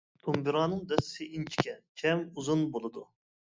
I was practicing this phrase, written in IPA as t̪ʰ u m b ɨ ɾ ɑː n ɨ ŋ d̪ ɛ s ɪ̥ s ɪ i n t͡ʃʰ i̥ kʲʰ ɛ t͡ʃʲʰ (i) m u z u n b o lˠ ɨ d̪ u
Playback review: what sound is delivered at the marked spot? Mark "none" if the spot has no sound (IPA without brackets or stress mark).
ɛ